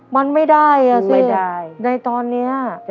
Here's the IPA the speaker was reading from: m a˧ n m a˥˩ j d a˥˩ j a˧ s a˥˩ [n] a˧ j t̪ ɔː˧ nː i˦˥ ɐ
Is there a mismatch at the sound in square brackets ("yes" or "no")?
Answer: no